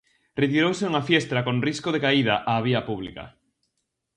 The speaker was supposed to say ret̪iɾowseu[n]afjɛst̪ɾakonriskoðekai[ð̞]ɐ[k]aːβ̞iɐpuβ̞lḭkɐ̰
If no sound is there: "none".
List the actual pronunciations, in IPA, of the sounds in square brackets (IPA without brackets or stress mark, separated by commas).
ŋ, ð̞, ʔ